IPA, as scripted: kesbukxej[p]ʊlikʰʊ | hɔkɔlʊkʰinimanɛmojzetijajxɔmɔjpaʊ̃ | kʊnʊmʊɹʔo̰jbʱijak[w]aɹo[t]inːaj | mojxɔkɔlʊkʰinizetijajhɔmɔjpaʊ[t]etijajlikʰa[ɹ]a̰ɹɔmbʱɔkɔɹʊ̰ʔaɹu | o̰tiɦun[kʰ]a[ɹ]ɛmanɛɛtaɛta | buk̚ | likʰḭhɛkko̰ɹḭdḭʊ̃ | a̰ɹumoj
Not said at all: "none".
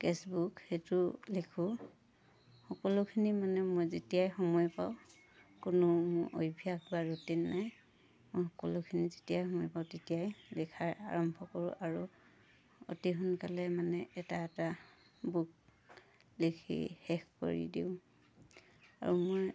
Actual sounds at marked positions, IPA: t, b, t, t, ɹ, k, l

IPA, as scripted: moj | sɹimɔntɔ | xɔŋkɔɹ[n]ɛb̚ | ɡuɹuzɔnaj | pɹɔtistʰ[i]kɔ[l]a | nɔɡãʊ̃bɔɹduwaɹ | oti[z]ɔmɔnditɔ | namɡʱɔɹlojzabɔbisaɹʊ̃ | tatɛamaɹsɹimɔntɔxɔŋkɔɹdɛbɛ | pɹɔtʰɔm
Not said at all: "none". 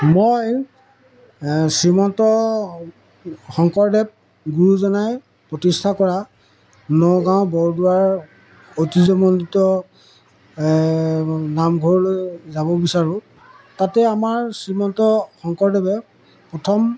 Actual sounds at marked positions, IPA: d, a, ɹ, z

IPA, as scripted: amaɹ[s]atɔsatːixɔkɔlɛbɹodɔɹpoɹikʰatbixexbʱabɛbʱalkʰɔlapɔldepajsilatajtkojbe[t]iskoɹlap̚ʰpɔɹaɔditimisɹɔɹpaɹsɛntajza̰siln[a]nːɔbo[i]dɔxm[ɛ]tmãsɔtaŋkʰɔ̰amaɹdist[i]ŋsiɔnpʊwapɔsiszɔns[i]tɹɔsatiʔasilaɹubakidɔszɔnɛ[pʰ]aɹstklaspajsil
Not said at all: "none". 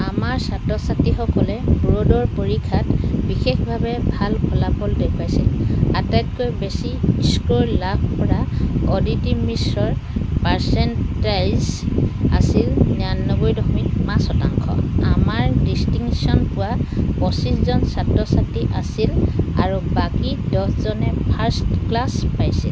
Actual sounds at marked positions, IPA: s, s, a, j, i, i, a, pʰ

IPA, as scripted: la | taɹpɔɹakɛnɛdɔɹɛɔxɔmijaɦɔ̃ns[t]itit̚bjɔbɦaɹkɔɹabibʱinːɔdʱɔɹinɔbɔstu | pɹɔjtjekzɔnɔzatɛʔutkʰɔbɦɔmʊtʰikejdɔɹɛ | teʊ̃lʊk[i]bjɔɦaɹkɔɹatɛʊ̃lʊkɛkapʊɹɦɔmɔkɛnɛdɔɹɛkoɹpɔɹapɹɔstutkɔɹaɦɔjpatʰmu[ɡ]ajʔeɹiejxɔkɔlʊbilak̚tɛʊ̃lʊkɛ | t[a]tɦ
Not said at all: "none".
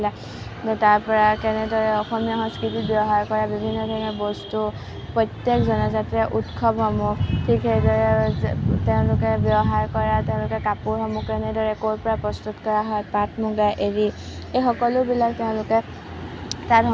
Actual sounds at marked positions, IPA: k, ɛ, ɡ, a

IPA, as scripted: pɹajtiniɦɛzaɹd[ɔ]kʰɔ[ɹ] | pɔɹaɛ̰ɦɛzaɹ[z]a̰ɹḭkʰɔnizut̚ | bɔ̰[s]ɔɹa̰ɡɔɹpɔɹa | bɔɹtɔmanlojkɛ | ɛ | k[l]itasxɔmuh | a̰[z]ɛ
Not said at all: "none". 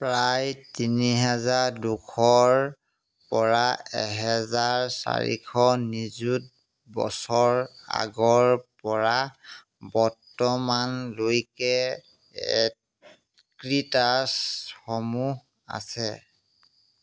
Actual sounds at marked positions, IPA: u, ɹ, s, s, ɹ, s

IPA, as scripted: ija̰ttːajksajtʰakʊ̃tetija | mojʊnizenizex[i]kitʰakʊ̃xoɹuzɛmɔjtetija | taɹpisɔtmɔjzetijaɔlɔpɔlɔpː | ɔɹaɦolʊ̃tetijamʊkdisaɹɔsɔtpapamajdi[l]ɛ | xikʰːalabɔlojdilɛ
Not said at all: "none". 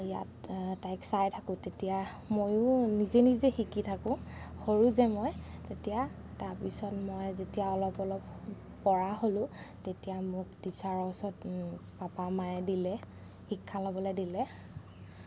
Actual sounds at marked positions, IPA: i, l

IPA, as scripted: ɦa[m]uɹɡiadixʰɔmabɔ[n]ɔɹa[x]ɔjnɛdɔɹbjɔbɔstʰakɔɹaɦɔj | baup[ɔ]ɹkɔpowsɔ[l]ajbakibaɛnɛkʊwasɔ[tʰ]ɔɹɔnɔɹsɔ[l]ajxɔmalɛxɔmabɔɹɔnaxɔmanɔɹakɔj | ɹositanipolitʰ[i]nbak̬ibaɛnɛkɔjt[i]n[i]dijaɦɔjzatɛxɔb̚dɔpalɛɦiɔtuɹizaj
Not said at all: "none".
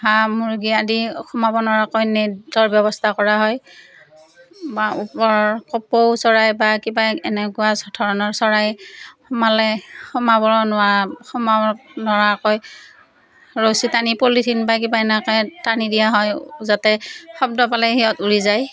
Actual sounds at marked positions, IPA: m, n, k, ɔ, ɹ, tʰ, ɹ, i, a, i

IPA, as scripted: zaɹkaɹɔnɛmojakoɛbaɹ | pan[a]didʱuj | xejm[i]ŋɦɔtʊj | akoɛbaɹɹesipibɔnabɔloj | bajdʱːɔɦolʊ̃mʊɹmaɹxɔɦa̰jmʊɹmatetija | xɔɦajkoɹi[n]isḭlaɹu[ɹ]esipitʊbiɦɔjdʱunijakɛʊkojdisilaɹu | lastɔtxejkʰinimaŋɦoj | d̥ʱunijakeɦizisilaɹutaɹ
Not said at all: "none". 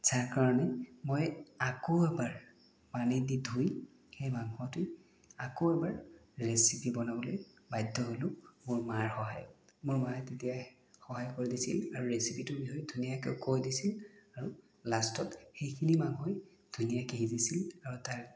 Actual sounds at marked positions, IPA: i, a, d, ɹ

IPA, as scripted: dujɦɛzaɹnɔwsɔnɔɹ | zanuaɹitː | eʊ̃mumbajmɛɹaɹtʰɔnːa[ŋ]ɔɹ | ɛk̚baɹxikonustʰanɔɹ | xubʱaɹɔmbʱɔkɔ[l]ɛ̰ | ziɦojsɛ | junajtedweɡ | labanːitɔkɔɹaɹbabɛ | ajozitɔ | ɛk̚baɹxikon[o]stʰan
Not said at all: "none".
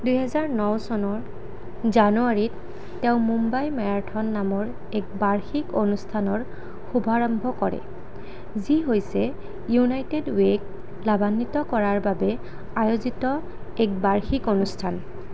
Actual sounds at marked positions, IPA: m, ɹ, u

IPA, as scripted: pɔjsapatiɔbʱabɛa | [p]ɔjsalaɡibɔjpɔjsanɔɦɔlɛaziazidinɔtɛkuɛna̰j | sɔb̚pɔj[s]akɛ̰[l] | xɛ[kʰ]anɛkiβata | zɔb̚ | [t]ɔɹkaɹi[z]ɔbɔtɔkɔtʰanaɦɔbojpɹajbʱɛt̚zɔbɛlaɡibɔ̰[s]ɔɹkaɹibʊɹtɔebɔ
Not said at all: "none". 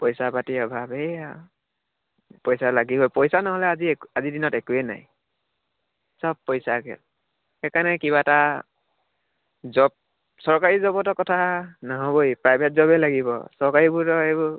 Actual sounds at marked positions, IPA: p, s, l, k, s, z, s

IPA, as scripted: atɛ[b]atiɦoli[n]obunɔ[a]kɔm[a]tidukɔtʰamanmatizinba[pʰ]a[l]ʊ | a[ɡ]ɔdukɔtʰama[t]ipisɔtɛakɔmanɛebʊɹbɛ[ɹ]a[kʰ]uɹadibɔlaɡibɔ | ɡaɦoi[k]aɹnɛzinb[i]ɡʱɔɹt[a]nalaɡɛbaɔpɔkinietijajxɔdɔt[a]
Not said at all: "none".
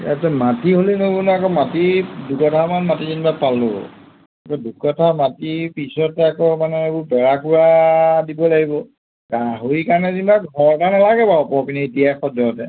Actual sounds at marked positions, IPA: m, n, a, a, p, l, k, t, ɹ, k, k, a, a, ɛ

